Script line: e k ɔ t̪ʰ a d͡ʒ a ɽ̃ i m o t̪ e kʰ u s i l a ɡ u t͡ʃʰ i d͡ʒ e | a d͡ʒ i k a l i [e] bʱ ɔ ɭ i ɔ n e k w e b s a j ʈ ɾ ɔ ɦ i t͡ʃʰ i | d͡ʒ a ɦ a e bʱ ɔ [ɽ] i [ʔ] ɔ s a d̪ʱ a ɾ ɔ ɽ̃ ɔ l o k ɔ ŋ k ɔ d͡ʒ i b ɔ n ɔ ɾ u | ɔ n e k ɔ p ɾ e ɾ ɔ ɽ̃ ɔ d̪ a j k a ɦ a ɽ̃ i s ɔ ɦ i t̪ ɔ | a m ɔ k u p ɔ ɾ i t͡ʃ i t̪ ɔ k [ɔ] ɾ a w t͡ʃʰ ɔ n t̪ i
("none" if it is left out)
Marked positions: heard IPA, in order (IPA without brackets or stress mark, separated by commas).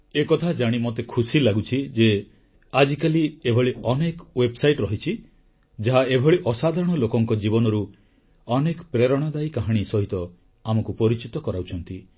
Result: e, ɭ, ʔ, ɔ